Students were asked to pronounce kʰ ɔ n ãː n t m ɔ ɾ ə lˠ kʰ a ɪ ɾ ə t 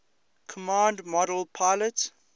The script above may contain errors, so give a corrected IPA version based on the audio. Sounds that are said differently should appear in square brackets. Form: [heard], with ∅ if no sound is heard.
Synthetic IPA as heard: kʰ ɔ [m] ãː n [d] m ɔ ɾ ə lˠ [pʰ] a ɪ [l] ə t